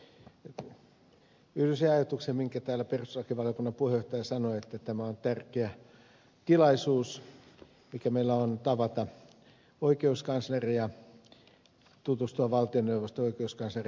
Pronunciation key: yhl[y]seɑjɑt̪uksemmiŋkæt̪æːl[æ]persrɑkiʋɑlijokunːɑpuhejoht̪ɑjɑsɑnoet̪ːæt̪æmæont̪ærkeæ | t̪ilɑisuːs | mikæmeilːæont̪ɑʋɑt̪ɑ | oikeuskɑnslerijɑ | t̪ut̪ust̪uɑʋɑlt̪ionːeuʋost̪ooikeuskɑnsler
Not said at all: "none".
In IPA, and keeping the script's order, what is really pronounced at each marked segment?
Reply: y, æ

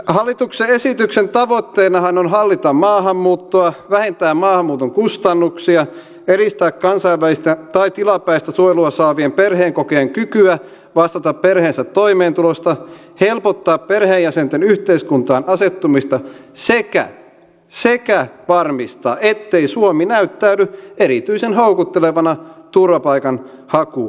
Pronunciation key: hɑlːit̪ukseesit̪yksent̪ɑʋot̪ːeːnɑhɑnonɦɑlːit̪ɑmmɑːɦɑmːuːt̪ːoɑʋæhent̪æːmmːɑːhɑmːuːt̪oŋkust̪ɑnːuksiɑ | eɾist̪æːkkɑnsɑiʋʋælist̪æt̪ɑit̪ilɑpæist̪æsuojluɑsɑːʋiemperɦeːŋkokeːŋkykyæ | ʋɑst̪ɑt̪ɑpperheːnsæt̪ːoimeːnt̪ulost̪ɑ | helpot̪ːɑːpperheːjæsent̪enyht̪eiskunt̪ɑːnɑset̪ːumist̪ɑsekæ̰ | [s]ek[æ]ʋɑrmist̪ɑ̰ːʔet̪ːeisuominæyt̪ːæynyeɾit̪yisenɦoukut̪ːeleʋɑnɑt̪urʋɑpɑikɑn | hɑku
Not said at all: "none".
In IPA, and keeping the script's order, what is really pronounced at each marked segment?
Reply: s, æ

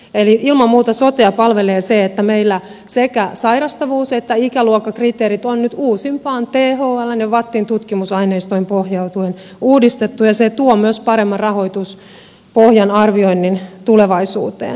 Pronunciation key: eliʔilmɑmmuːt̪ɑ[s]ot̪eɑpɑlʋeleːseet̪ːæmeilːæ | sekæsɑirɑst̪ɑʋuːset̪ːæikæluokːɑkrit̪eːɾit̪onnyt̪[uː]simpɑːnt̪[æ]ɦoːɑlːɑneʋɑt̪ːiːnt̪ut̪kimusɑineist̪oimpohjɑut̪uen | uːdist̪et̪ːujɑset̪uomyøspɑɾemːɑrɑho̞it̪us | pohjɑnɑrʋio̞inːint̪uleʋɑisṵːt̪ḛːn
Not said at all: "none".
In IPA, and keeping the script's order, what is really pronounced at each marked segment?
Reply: s, uː, e

